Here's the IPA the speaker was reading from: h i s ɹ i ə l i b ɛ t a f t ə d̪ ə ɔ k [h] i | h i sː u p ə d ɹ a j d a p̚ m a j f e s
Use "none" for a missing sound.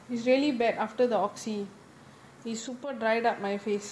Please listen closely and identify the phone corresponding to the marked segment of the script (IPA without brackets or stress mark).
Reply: s